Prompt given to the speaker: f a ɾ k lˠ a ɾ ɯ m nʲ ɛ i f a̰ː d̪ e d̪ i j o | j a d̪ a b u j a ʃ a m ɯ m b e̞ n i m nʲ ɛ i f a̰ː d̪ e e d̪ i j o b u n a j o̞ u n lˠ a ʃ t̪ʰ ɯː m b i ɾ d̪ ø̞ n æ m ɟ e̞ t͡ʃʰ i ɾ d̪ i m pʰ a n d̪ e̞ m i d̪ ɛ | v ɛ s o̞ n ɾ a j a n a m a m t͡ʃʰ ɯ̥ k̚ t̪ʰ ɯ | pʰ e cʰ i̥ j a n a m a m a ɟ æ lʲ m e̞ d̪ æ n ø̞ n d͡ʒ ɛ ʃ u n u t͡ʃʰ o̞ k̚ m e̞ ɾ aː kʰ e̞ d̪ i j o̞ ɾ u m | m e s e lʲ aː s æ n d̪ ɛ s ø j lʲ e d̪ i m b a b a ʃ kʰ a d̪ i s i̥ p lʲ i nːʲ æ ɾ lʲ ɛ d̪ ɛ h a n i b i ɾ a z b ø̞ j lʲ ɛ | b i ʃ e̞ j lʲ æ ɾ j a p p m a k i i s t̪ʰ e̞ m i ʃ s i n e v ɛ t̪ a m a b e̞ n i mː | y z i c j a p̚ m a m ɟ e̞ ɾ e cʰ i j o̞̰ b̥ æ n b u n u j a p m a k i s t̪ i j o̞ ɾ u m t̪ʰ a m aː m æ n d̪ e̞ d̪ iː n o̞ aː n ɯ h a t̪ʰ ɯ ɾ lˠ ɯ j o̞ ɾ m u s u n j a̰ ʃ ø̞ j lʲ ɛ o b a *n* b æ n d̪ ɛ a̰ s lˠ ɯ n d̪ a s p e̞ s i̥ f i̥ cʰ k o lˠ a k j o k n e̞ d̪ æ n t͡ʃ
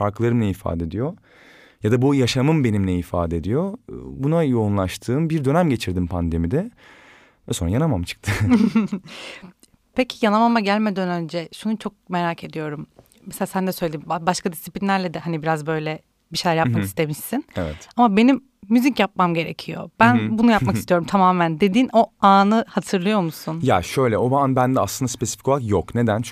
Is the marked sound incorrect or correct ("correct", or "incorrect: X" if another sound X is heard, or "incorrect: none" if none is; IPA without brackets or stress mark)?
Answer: correct